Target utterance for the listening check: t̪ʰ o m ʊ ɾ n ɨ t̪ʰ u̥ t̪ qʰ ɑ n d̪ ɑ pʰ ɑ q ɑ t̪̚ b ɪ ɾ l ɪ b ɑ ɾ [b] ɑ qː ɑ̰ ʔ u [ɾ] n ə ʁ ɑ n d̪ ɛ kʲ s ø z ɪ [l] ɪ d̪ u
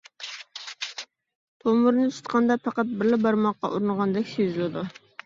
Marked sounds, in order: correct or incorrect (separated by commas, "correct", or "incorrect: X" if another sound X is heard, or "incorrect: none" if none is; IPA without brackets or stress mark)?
incorrect: m, correct, correct